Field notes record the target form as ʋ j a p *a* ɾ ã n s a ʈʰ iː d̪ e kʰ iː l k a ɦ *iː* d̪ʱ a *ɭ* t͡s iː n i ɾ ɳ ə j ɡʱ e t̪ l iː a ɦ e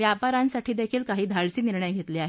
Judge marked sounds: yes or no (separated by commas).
yes, yes, yes